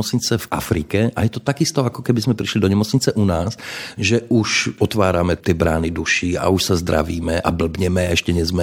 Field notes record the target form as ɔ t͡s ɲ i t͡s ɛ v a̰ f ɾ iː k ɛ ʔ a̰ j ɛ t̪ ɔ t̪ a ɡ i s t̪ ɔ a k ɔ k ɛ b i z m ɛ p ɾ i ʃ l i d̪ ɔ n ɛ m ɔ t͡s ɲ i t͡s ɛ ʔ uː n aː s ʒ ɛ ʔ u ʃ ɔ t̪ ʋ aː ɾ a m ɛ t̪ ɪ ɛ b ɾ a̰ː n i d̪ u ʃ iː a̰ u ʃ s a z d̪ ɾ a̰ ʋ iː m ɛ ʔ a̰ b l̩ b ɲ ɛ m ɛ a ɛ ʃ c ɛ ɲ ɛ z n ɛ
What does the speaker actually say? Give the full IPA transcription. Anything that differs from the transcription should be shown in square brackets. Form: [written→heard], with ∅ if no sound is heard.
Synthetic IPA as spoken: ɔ t͡s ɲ i t͡s ɛ v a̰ f ɾ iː k ɛ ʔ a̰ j ɛ t̪ ɔ t̪ a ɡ i s t̪ ɔ a k ɔ k ɛ b i z m ɛ p ɾ i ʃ l i d̪ ɔ [n→ɲ] ɛ m ɔ t͡s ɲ i t͡s ɛ ʔ [uː→u] n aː s ʒ ɛ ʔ u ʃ ɔ t̪ ʋ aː ɾ a m ɛ t̪ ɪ ɛ b ɾ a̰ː n i d̪ u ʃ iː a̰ u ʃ s a z d̪ ɾ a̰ ʋ iː m ɛ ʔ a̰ b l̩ b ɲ ɛ m ɛ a ɛ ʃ c ɛ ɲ ɛ z [n→m] ɛ